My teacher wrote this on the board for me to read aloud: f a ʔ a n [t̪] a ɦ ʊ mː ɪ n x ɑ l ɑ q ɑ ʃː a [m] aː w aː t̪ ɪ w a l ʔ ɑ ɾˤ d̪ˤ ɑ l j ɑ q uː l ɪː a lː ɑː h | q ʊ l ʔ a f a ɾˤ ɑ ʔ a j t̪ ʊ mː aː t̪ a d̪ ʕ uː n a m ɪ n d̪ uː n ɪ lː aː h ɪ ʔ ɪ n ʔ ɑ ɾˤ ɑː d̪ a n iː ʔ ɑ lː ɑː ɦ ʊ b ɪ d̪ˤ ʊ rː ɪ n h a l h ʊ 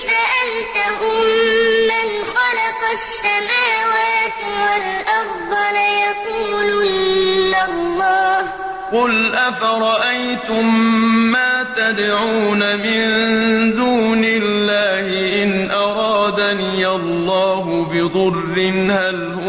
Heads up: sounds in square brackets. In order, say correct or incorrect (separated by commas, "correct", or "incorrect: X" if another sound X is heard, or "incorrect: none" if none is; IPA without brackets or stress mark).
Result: correct, correct